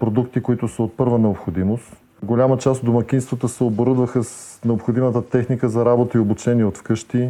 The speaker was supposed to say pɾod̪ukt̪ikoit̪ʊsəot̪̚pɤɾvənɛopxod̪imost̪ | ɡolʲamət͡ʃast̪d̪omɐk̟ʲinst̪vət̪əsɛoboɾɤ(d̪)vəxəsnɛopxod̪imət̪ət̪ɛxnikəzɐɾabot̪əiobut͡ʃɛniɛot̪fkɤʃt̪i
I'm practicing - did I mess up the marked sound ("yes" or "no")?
no